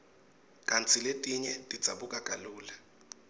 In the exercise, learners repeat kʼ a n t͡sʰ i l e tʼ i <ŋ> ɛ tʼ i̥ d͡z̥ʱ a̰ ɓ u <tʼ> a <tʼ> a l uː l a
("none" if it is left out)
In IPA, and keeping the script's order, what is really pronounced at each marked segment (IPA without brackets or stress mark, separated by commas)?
ɲ, kʼ, kʼ